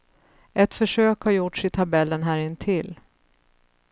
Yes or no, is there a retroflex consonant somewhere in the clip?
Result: yes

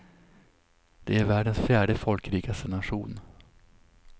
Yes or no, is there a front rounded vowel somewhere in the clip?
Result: no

